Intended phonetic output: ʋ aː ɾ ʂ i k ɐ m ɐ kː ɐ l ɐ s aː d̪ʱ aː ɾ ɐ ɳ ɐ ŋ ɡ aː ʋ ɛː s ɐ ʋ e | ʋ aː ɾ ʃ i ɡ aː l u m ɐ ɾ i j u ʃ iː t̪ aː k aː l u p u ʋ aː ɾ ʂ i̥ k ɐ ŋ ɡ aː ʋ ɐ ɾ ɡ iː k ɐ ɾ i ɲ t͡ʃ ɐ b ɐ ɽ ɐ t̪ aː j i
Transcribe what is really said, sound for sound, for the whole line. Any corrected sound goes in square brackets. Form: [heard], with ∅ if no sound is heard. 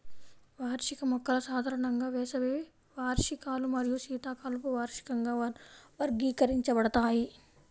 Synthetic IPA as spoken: ʋ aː ɾ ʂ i k ɐ m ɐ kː ɐ l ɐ s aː d̪ʱ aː ɾ ɐ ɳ ɐ ŋ ɡ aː ʋ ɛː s ɐ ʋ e | ʋ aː ɾ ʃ i [k] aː l u m ɐ ɾ i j u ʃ iː t̪ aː k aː l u p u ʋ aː ɾ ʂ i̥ k ɐ ŋ ɡ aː ʋ ɐ ɾ ɡ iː k ɐ ɾ i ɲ t͡ʃ ɐ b ɐ ɽ ɐ t̪ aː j i